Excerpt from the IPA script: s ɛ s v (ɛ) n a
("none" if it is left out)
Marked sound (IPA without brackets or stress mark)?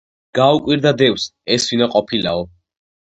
i